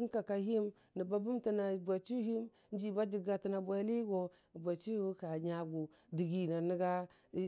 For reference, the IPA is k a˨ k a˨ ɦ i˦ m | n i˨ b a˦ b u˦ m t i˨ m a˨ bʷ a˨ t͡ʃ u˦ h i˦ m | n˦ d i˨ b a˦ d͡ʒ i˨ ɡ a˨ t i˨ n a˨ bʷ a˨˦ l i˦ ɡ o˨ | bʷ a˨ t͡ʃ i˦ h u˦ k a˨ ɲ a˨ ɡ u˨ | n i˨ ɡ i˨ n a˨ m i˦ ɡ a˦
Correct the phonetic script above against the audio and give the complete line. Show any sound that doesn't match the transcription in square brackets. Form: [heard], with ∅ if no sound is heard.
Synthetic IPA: k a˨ k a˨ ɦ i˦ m | n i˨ b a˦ b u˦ m t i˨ [n] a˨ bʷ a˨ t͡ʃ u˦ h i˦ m | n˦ [d͡ʒ] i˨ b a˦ d͡ʒ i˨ ɡ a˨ t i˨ n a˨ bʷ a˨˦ l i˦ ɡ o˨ | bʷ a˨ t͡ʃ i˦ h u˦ k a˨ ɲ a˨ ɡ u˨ | [d] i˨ ɡ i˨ n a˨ [n] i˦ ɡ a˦